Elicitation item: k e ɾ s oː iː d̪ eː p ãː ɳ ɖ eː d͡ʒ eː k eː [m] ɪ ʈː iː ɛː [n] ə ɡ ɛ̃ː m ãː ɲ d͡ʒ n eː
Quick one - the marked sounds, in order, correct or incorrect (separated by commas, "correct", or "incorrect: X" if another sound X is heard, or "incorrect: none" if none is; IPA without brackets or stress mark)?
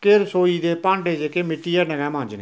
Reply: correct, correct